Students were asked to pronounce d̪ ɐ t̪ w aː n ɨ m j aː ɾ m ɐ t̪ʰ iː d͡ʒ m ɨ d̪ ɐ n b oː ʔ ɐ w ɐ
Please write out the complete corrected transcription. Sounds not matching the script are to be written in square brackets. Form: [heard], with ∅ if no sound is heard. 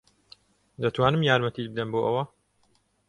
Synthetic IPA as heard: d̪ ɐ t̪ w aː n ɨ m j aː ɾ m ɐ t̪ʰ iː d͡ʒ [b] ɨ d̪ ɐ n b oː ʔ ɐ w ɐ